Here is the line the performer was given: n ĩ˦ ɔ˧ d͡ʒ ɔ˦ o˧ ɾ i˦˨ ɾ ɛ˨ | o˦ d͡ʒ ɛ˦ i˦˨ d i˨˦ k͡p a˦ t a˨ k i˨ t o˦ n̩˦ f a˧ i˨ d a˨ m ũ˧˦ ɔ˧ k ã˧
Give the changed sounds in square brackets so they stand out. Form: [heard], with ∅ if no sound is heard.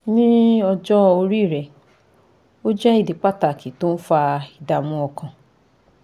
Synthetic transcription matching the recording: n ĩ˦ ɔ˧ d͡ʒ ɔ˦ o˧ ɾ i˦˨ ɾ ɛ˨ | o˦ d͡ʒ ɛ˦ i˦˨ d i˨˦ k͡p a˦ t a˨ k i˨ t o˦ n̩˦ f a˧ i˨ d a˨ m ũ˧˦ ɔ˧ k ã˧